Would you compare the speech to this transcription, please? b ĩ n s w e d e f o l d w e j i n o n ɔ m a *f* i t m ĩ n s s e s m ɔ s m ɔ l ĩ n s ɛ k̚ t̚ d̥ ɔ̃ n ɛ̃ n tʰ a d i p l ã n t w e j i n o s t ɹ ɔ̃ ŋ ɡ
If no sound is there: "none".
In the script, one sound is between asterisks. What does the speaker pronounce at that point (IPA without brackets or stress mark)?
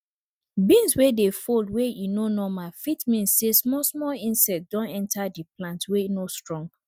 f